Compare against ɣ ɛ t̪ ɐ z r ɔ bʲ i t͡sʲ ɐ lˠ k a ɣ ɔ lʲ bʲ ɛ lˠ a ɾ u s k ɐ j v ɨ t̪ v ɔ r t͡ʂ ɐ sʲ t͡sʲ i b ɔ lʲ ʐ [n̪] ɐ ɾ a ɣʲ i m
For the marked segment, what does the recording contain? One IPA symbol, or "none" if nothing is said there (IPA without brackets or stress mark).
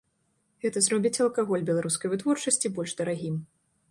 d̪